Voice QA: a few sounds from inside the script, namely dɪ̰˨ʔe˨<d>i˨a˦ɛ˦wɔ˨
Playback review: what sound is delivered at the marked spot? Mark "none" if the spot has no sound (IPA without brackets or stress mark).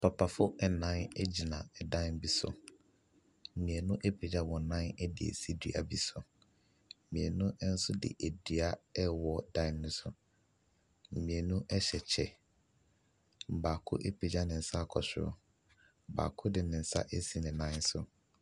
d